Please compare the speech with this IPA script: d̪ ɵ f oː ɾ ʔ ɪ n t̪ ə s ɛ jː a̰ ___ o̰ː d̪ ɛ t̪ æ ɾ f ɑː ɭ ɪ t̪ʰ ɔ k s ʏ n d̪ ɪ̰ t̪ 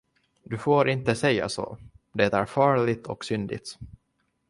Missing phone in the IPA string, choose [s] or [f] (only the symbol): s